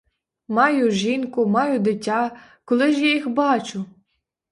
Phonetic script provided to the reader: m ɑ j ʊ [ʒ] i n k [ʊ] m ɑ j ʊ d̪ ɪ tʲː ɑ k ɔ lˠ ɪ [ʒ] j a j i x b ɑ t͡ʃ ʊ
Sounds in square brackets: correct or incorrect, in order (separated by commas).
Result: correct, correct, correct